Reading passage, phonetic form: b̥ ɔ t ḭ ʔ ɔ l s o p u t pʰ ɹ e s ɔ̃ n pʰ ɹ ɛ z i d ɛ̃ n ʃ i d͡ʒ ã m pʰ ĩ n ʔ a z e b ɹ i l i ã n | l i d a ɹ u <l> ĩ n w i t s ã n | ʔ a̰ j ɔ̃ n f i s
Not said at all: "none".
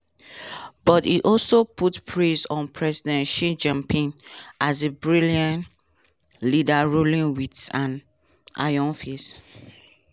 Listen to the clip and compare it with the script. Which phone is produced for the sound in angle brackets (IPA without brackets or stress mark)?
l